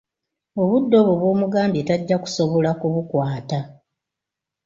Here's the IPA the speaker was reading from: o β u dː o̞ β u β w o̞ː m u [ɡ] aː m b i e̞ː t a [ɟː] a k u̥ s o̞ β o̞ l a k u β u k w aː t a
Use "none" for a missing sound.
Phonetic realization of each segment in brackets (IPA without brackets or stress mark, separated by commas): ɡ, ɟː